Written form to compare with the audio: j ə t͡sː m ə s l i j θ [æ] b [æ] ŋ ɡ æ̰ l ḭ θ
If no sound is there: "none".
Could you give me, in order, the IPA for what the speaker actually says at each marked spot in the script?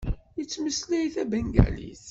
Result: æ, æ

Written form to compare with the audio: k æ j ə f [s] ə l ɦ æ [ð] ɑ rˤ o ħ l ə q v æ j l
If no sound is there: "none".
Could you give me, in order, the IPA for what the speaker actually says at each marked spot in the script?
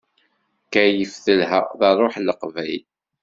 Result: θ, ð

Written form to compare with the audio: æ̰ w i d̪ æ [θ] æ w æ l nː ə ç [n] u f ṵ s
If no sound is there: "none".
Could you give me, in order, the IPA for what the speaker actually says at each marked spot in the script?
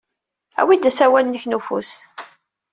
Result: s, n

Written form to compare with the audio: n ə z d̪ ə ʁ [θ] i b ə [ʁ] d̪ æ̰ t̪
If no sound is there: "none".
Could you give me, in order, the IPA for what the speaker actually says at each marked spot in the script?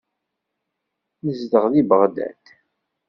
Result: ð, ʁ

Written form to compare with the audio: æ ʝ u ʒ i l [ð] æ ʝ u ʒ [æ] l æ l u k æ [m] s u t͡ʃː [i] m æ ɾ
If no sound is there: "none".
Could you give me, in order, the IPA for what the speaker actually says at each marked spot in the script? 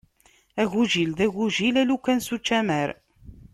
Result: ð, i, n, æ

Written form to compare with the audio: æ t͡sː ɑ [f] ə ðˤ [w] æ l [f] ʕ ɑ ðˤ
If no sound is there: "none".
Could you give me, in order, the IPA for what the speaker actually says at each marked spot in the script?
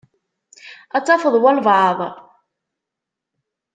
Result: f, w, v

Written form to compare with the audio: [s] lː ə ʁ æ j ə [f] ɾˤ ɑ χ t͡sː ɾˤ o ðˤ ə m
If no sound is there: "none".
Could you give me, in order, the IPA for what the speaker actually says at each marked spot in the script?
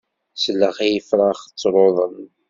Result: s, f

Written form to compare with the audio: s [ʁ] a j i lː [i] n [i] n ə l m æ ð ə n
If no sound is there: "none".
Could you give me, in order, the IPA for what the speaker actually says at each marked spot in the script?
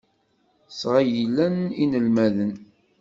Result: ʁ, æ, i

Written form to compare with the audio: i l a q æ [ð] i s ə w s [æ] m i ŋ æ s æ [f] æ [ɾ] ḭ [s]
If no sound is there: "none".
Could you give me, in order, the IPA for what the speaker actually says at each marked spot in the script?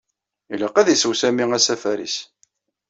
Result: ð, æ, f, ɾ, s

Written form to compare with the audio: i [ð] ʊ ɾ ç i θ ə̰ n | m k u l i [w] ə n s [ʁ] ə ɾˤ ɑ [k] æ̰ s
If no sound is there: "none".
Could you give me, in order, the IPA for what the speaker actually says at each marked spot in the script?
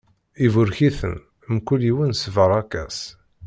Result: v, w, v, k

